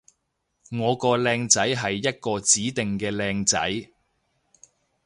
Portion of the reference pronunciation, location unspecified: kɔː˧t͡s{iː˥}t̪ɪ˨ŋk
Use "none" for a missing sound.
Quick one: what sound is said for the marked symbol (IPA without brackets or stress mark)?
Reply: iː˨˥